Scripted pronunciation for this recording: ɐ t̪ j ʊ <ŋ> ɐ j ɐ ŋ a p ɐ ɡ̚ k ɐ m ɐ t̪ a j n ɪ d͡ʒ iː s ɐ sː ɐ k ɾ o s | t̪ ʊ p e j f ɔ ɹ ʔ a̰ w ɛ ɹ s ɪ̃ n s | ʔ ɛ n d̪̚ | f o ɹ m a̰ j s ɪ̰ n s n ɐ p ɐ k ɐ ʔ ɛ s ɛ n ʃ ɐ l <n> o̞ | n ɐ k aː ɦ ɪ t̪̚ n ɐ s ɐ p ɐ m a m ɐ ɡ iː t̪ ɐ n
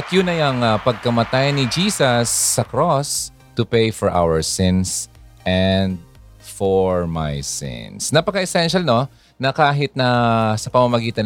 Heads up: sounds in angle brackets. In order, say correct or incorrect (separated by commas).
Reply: incorrect, correct